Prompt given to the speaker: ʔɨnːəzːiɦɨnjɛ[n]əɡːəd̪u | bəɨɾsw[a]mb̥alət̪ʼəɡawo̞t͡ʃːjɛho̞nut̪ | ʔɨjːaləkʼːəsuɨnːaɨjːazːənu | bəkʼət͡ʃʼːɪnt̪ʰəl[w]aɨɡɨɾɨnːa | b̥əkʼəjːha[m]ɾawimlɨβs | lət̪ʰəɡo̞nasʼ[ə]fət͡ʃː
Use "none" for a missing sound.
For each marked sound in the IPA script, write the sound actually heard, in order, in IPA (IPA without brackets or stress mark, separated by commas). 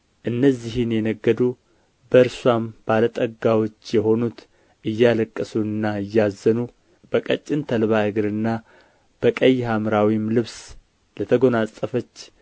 n, a, β, m, ə